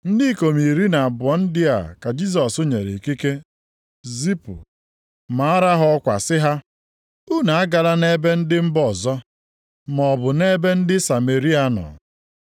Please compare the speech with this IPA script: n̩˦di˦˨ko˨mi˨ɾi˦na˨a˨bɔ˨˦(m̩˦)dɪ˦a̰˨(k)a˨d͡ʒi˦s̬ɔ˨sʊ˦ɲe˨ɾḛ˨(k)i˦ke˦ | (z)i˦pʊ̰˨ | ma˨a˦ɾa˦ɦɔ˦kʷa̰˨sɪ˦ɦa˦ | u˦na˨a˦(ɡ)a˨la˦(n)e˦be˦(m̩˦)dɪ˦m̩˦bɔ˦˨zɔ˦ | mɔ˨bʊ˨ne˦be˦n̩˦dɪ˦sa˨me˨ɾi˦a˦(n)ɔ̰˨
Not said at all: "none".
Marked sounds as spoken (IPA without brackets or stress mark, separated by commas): n̩˦, k, k, z, ɡ, n, n̩˦, n